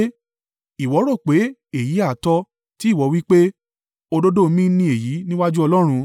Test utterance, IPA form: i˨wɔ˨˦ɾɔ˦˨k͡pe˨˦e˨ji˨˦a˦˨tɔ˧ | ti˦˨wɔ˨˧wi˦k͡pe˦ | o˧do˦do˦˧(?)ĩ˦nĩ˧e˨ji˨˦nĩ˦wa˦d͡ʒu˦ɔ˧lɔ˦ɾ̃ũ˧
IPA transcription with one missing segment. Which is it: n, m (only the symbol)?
m